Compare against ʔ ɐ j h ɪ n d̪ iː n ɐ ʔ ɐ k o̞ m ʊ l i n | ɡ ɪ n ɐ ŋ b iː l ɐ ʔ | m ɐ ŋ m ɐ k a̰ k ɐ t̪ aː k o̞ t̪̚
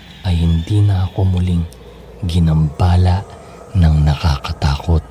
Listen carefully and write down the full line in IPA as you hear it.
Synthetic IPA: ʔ ɐ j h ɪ n d̪ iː n ɐ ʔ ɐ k o̞ m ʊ l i ŋ | ɡ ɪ n ɐ m b aː l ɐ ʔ | n ɐ ŋ n ɐ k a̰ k ɐ t̪ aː k o̞ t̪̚